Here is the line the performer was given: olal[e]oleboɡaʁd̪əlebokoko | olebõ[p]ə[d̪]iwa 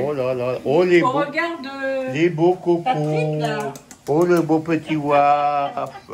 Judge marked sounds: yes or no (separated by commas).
no, yes, no